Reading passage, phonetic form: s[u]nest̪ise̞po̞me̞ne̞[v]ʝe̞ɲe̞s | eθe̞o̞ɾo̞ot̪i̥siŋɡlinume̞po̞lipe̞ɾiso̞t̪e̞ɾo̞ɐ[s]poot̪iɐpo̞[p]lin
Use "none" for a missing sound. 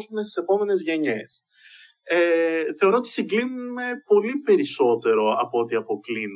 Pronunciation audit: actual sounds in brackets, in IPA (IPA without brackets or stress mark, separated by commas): u, z, none, k